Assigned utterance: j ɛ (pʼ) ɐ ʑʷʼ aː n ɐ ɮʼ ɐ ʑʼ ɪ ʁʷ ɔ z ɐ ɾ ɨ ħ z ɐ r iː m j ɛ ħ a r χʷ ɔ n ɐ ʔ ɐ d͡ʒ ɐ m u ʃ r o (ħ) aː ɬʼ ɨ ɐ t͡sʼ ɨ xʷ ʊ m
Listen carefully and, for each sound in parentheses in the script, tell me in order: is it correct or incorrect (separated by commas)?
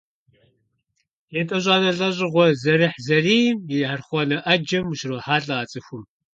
incorrect, correct